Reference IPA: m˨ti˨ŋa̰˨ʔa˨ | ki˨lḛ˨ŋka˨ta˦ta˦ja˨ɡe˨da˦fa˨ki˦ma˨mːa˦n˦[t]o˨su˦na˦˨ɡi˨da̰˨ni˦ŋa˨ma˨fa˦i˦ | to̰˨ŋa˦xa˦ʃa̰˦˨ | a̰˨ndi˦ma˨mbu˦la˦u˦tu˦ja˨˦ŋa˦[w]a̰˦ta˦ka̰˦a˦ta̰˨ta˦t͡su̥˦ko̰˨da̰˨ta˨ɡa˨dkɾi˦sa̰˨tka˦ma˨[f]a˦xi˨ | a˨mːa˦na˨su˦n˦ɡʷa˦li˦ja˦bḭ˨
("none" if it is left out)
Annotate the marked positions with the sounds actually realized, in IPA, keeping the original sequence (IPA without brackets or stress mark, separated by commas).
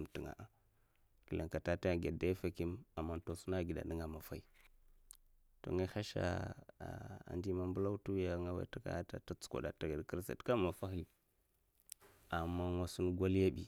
t, w, f